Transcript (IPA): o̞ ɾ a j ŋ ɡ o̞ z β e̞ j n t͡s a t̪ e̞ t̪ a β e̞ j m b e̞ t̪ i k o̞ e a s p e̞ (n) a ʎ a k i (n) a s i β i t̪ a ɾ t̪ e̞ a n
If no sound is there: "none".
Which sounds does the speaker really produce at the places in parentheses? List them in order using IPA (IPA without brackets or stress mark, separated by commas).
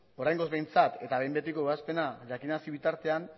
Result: n, n